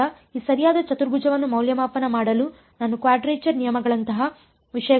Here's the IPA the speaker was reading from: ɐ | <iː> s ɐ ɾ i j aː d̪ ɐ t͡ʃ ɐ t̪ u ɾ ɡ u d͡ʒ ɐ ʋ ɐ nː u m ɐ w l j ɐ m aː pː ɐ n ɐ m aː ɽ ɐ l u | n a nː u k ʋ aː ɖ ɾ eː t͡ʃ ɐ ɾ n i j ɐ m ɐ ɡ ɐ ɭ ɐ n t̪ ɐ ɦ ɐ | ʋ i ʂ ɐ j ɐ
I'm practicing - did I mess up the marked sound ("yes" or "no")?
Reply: no